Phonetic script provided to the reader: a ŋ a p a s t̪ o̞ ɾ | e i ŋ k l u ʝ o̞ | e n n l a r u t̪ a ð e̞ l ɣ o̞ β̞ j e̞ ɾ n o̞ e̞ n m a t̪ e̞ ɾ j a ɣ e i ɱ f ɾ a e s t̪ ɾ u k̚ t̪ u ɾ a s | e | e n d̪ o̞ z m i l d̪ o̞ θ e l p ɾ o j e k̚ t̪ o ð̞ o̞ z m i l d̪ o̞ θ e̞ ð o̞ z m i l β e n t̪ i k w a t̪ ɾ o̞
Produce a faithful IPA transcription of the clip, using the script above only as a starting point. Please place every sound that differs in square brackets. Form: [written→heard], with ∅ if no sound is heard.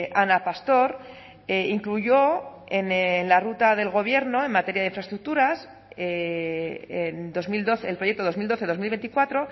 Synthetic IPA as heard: a [ŋ→n] a p a s t̪ o̞ ɾ | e i ŋ k l u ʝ o̞ | e n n l a r u t̪ a ð e̞ l ɣ o̞ β̞ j e̞ ɾ n o̞ e̞ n m a t̪ e̞ ɾ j a [ɣ→ð] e i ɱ f ɾ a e s t̪ ɾ u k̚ t̪ u ɾ a s | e | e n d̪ o̞ z m i l d̪ o̞ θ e l p ɾ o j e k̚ t̪ o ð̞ o̞ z m i l d̪ o̞ θ e̞ ð o̞ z m i l β e n t̪ i k w a t̪ ɾ o̞